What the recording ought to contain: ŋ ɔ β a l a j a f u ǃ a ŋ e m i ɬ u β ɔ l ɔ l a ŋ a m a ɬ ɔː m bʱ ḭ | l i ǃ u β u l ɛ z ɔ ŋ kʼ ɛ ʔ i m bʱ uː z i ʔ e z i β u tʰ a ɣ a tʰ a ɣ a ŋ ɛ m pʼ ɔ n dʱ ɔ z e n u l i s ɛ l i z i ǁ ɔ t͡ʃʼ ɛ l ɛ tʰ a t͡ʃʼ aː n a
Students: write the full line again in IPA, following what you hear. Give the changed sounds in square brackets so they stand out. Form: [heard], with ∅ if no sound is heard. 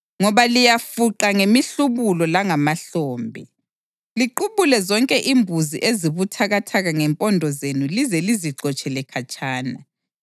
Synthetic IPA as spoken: ŋ ɔ β a l [i] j a f u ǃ a ŋ e m i ɬ u β [u] l ɔ l a ŋ a m a ɬ ɔː m bʱ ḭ | l i ǃ u β u l ɛ z ɔ ŋ kʼ ɛ ʔ i m bʱ [u] z i ʔ e z i β u tʰ a ɣ a tʰ a ɣ a ŋ ɛ m pʼ ɔ n dʱ ɔ z e n u l i [z] ɛ l i z i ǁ ɔ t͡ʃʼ ɛ l ɛ [kʰ] a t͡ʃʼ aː n a